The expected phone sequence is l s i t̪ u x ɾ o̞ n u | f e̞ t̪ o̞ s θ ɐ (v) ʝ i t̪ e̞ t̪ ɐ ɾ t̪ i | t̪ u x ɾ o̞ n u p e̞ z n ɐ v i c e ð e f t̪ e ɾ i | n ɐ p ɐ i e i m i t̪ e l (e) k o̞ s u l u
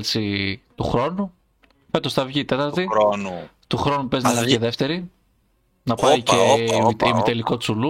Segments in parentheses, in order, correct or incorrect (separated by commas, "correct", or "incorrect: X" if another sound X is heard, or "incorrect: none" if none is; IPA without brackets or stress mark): correct, incorrect: i